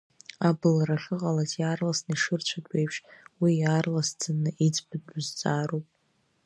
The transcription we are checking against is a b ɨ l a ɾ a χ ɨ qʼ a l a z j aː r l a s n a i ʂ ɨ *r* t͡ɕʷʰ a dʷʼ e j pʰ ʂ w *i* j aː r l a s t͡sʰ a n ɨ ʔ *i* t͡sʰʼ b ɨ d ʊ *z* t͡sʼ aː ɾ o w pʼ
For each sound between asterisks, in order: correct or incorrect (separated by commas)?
correct, correct, correct, correct